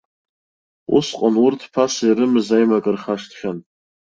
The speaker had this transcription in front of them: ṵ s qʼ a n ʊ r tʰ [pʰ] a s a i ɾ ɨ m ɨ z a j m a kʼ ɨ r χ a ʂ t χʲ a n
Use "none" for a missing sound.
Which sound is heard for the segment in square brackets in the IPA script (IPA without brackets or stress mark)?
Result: pʰ